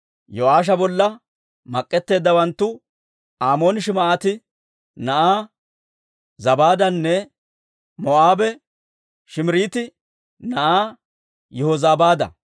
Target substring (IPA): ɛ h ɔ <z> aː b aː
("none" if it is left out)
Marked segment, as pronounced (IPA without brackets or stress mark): z